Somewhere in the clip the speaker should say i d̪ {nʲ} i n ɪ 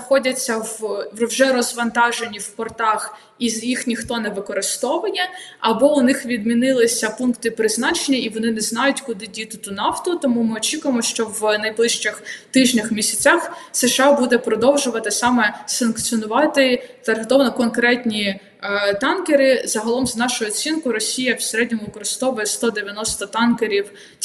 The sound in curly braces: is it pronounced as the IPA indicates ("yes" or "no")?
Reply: no